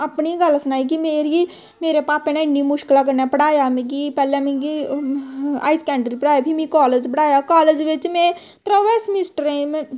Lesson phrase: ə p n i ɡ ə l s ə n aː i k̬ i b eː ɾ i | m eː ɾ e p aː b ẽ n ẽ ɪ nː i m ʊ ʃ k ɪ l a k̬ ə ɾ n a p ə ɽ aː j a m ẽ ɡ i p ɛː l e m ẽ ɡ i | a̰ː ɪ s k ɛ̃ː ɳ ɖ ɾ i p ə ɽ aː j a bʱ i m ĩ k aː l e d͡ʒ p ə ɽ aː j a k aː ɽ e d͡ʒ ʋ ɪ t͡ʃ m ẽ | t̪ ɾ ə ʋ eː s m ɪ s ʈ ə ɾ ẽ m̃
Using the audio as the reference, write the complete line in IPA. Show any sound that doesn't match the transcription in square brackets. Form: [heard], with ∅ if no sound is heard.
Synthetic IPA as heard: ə p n i ɡ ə l s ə n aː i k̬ i [m] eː ɾ i | m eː ɾ e p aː [p] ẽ n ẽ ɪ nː i m ʊ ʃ k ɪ l a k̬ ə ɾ n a p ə ɽ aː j a m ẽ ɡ i p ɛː l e m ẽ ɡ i | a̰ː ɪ s k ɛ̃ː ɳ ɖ ɾ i p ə ɽ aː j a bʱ i m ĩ k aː l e d͡ʒ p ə ɽ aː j a k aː [l] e d͡ʒ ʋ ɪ t͡ʃ m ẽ | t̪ ɾ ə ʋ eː s m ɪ s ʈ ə ɾ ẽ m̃

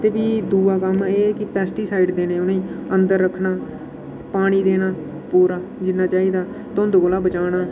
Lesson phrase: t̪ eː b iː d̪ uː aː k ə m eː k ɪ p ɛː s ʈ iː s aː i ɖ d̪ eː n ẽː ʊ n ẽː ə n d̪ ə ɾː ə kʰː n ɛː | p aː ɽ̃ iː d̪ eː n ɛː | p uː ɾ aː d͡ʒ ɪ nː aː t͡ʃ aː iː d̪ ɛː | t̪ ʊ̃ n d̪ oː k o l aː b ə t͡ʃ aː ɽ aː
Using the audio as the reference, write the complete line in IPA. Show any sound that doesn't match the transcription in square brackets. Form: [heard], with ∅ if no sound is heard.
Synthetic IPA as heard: t̪ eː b iː d̪ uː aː k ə m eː k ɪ p ɛː s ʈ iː s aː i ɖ d̪ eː n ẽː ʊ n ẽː ə n d̪ ə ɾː ə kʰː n [aː] | p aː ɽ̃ iː d̪ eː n [aː] | p uː ɾ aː d͡ʒ ɪ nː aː t͡ʃ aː iː d̪ [aː] | t̪ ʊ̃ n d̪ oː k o l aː b ə t͡ʃ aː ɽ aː

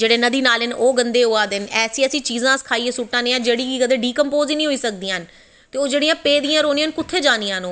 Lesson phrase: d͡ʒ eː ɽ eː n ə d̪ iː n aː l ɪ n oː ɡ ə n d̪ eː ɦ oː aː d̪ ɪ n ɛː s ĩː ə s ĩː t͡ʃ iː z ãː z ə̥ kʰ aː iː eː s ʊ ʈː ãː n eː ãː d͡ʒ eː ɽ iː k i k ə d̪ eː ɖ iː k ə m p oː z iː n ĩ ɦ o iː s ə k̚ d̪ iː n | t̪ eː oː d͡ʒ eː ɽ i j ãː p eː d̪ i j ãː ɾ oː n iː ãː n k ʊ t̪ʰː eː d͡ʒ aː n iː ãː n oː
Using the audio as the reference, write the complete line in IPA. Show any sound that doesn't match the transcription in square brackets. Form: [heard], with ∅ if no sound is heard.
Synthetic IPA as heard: d͡ʒ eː ɽ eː n ə d̪ iː n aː l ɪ n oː ɡ ə n d̪ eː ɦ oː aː d̪ ɪ n ɛː s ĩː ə s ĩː t͡ʃ iː z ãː [s] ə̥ kʰ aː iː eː s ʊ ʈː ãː n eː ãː d͡ʒ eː ɽ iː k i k ə d̪ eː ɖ iː k ə m p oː z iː n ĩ ɦ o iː s ə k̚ d̪ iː n | t̪ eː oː d͡ʒ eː ɽ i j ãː p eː d̪ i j ãː ɾ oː n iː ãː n k ʊ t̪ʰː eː d͡ʒ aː n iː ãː n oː

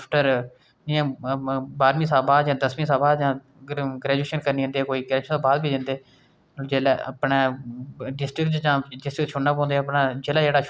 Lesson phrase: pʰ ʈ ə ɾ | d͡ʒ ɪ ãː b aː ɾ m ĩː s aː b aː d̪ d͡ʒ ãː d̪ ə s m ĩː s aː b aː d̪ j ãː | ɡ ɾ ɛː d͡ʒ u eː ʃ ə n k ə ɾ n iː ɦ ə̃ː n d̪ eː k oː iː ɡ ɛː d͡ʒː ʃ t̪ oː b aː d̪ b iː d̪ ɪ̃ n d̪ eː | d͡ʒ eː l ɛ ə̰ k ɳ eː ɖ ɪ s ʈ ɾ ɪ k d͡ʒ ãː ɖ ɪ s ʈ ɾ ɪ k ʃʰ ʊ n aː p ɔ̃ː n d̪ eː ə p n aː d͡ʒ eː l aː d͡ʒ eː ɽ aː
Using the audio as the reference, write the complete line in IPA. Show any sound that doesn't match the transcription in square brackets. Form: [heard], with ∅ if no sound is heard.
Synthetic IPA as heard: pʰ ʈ ə ɾ | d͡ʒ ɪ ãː b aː ɾ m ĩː s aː b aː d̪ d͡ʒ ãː d̪ ə s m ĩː s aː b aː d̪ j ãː | ɡ ɾ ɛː d͡ʒ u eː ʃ ə n k ə ɾ n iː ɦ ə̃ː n d̪ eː k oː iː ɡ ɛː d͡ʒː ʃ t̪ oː b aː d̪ b iː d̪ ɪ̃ n d̪ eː | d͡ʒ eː l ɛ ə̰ [p] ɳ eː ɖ ɪ s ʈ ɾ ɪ k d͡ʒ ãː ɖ ɪ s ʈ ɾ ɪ k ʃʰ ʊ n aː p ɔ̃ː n d̪ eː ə p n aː d͡ʒ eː l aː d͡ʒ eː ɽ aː

